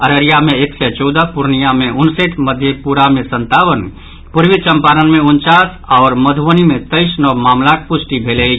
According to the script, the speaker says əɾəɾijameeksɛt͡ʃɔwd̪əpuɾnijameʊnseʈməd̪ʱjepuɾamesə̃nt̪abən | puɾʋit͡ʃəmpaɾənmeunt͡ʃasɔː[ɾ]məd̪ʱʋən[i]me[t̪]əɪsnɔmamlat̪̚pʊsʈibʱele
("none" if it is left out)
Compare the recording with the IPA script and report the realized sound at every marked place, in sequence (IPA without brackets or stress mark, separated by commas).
ɾ, i, t̪